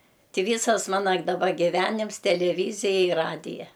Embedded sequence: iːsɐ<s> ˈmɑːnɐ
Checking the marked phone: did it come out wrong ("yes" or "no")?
no